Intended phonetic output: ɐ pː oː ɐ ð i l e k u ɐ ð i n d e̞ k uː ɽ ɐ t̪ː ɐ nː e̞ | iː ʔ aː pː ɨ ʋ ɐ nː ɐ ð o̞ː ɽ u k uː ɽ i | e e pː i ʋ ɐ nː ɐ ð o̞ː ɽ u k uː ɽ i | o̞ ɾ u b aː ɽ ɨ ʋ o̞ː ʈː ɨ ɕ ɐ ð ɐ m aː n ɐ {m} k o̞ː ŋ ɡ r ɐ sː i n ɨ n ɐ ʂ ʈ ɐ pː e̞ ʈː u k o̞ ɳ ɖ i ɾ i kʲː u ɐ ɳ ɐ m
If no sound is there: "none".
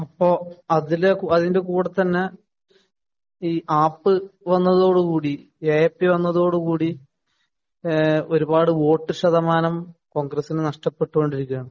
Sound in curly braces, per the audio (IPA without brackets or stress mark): m